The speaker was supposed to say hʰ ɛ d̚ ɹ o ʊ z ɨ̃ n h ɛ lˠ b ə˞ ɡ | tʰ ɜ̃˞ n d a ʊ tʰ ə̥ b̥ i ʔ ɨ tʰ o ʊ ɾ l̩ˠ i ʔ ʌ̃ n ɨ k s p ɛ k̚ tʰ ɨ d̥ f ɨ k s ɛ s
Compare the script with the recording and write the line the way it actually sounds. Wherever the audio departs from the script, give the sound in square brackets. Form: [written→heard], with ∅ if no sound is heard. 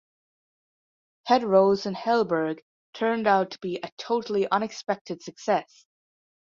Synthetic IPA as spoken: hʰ ɛ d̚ ɹ o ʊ z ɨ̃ n h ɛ lˠ b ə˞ ɡ | tʰ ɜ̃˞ n d a ʊ tʰ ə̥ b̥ i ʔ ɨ tʰ o ʊ ɾ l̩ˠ i ʔ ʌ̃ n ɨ k s p ɛ k̚ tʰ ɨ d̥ [f→s] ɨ k s ɛ s